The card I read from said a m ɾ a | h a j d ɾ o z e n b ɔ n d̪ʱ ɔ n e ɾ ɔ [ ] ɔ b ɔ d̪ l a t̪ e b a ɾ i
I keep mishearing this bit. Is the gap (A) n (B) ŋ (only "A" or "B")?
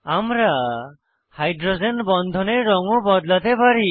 B